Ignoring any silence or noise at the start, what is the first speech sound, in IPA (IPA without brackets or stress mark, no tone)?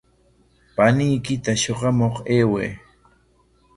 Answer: p